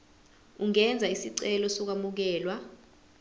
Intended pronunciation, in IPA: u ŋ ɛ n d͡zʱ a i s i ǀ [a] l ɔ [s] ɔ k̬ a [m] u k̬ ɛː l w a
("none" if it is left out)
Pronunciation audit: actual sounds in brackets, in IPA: ɛ, s, m

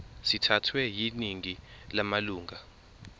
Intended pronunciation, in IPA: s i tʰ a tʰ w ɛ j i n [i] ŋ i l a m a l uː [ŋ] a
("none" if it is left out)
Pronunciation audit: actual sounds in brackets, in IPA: i, ŋ

